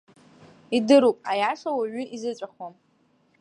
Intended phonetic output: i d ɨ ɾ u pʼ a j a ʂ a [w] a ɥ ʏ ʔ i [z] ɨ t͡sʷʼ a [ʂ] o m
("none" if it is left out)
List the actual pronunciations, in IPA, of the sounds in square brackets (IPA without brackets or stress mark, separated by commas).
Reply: w, z, χ